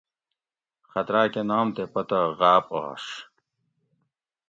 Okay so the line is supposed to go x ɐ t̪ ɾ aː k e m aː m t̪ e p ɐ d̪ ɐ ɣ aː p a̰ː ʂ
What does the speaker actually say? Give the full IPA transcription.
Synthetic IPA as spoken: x ɐ t̪ ɾ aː k e n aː m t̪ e p ɐ t̪ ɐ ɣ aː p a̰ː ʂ